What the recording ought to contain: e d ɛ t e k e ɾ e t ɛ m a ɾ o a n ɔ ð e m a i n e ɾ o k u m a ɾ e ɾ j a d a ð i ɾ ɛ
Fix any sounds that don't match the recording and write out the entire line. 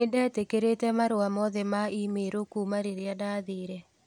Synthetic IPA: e d ɛ t e k e ɾ e t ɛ m a ɾ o a m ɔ ð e m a i m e ɾ o k u m a ɾ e ɾ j a d a ð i ɾ ɛ